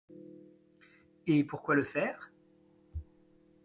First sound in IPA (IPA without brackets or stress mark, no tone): e